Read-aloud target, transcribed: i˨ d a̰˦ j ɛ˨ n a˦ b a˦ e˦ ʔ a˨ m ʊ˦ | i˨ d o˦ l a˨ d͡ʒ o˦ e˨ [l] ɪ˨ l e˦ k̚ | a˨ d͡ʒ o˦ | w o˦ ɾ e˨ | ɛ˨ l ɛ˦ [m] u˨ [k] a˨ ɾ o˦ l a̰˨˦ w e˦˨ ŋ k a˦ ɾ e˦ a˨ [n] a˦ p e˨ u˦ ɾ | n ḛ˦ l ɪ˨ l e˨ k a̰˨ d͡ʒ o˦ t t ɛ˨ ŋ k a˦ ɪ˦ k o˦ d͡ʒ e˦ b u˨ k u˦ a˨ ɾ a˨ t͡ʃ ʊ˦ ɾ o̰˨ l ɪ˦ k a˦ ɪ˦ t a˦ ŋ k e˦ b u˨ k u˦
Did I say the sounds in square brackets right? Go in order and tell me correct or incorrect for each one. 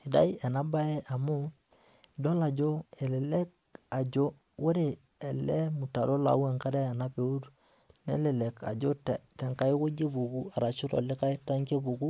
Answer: correct, correct, incorrect: t, correct

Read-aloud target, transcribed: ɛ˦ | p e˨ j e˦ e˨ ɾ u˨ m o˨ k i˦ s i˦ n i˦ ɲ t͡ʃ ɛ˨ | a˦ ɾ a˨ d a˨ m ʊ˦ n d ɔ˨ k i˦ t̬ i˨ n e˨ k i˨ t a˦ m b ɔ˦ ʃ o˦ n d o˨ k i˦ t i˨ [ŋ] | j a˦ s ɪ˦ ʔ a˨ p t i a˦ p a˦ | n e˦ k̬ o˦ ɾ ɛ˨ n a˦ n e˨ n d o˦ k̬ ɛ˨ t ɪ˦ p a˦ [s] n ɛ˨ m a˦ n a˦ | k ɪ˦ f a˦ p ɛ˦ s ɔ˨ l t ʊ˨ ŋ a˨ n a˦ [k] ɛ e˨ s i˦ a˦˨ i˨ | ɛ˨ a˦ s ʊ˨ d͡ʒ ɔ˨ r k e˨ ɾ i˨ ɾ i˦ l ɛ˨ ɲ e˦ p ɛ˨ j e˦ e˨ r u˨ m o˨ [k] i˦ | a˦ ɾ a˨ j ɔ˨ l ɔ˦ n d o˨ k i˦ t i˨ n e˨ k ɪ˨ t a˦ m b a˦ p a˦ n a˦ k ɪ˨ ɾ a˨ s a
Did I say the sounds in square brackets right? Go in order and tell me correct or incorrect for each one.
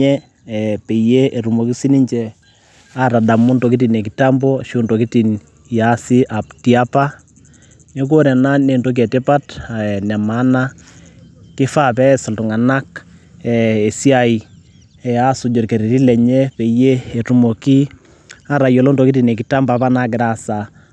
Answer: incorrect: n, incorrect: t, correct, correct

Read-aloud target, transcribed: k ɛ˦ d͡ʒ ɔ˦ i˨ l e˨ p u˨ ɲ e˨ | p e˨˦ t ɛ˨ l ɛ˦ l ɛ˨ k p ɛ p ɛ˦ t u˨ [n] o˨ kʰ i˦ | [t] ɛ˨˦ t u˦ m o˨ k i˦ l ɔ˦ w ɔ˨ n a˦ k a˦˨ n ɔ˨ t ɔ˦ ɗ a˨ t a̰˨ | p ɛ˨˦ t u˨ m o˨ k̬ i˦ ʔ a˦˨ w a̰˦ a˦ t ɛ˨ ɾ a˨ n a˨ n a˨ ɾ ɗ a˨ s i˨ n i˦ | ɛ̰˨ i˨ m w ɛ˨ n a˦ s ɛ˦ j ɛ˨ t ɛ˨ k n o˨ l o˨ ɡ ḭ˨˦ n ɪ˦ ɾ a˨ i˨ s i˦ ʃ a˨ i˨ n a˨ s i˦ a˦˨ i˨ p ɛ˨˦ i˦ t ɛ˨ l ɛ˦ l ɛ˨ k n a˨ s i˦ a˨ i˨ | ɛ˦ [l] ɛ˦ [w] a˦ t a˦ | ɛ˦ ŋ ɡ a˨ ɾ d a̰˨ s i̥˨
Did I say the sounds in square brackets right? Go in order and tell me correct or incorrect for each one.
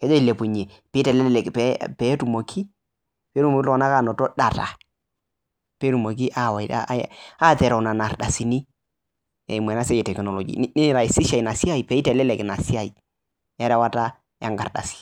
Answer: incorrect: m, incorrect: p, incorrect: ɾ, correct

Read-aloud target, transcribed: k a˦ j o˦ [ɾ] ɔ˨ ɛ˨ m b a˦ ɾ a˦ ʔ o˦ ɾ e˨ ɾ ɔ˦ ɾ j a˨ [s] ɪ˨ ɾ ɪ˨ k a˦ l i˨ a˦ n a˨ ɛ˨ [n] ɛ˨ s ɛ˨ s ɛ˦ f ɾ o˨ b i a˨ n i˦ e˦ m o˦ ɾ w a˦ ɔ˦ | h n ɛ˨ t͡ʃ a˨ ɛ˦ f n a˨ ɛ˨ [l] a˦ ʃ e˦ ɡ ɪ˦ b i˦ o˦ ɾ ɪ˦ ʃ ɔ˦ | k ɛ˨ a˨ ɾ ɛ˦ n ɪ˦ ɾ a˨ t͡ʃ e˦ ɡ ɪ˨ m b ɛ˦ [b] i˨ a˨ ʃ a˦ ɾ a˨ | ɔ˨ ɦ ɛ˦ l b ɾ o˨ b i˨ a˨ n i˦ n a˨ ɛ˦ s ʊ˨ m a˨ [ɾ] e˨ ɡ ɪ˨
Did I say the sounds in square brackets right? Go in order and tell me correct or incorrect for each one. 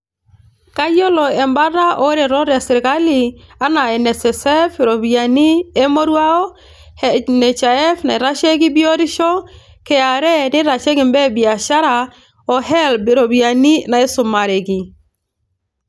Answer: incorrect: l, correct, correct, incorrect: ɾ, correct, correct

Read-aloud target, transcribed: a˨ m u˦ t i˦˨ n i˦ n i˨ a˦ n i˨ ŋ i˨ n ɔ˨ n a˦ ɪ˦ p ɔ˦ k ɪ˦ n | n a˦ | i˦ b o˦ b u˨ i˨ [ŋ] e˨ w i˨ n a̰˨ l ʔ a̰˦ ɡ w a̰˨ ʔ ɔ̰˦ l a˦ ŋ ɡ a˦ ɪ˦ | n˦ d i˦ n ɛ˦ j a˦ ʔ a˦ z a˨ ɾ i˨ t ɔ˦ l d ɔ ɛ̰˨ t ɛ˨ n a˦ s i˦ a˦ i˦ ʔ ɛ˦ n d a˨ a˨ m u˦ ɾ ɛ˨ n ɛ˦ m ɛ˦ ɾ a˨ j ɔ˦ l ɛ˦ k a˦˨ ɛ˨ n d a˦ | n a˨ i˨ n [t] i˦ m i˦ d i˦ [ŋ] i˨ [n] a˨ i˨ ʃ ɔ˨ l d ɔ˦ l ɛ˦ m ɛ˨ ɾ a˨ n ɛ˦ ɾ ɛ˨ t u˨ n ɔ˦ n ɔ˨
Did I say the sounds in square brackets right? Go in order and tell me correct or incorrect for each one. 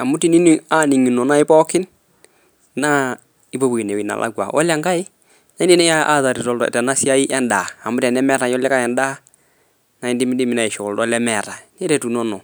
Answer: incorrect: n, incorrect: d, incorrect: m, correct

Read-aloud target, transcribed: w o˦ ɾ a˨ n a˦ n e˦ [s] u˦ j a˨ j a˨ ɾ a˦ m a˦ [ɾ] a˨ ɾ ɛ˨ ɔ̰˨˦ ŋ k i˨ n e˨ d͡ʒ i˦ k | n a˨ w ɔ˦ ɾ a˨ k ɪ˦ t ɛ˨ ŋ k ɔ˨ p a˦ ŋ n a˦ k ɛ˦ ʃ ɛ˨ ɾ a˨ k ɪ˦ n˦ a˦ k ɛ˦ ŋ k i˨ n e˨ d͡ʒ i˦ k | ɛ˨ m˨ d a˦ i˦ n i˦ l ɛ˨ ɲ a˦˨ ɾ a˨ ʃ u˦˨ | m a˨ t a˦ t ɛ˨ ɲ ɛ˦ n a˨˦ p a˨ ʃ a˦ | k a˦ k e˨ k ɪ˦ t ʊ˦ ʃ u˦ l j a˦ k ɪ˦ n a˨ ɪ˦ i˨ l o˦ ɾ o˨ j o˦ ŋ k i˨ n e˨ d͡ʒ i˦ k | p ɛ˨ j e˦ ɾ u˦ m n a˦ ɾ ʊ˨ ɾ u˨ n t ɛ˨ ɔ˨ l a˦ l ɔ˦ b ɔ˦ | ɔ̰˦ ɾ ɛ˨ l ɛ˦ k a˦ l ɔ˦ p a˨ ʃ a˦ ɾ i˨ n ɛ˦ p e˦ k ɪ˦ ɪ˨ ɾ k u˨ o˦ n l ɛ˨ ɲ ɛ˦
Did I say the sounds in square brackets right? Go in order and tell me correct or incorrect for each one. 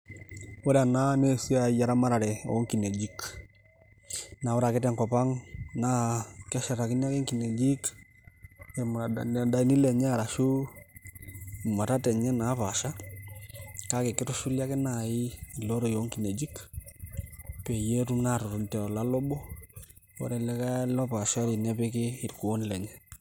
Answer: correct, correct

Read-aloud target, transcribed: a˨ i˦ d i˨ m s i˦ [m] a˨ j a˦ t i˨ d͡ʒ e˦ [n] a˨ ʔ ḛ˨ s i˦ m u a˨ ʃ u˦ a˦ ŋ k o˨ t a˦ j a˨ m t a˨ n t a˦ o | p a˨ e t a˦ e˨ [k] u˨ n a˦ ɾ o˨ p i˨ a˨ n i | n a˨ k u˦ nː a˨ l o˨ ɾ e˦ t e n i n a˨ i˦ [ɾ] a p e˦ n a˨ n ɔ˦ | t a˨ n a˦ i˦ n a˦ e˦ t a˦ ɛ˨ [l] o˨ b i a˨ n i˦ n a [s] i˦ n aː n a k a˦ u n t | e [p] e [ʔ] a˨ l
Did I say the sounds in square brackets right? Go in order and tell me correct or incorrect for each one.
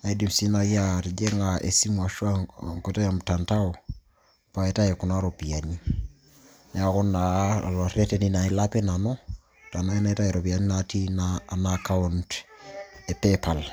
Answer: incorrect: n, incorrect: ŋ, correct, incorrect: l, incorrect: ɾ, incorrect: t, correct, incorrect: p

